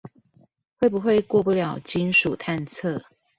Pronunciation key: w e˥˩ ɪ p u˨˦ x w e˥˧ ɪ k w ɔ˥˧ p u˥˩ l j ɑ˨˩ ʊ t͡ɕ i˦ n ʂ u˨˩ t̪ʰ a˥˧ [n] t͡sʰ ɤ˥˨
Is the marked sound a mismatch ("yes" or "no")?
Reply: no